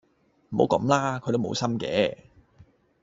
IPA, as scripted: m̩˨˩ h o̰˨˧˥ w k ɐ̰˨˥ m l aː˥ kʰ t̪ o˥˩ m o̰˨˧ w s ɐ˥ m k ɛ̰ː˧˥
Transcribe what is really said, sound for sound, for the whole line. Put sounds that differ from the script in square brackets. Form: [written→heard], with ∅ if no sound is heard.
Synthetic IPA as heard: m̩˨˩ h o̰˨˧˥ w k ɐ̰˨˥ m l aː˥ kʰ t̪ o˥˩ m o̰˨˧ w s ɐ˥ m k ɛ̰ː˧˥